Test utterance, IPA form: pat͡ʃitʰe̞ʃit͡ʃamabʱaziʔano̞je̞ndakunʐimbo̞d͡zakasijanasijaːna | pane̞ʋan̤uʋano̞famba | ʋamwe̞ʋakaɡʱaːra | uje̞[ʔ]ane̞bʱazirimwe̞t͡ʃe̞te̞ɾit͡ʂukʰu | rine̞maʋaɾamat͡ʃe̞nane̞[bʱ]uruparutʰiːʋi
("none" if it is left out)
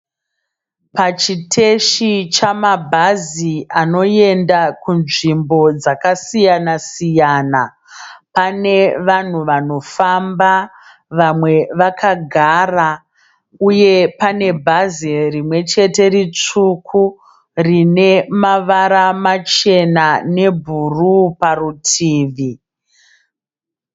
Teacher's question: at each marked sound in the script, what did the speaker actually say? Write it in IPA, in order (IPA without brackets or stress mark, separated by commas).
p, bʱ